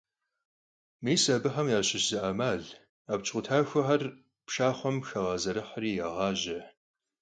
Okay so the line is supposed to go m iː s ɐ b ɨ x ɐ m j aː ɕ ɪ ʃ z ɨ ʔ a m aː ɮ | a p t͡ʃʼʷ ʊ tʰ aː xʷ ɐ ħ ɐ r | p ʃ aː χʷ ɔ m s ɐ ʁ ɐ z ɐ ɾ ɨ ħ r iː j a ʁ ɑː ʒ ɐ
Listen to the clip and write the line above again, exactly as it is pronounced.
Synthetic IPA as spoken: m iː s ɐ b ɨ ħ ɐ m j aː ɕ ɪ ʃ z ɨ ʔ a m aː ɮ | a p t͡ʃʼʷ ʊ tʰ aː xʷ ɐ ħ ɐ r | p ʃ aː χʷ ɔ m x ɐ ʁ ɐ z ɐ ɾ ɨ ħ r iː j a ʁ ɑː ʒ ɐ